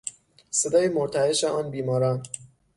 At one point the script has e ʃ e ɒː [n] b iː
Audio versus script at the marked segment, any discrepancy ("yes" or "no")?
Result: no